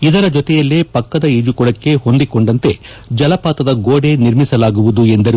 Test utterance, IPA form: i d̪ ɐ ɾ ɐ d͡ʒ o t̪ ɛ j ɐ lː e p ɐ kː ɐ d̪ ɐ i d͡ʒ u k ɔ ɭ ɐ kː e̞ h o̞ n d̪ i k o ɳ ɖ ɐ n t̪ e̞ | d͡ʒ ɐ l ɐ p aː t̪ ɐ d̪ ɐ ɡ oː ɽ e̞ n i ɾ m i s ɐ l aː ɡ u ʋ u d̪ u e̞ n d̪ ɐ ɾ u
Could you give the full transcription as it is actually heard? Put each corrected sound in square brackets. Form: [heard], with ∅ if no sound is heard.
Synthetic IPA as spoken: i d̪ ɐ ɾ ɐ d͡ʒ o t̪ ɛ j ɐ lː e p ɐ kː ɐ d̪ ɐ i d͡ʒ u k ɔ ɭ ɐ kː e̞ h o̞ n d̪ i k o ɳ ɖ ɐ n t̪ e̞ | d͡ʒ ɐ l ɐ p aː t̪ ɐ d̪ ɐ ɡ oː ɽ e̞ n i ɾ m i s ɐ l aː ɡ u ʋ u d̪ u e̞ n d̪ ɐ ɾ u